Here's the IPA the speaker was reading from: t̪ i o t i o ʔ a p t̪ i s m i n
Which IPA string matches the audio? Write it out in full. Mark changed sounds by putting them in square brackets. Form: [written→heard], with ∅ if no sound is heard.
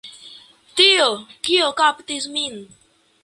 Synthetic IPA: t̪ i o [t→k] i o [ʔ→k] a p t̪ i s m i n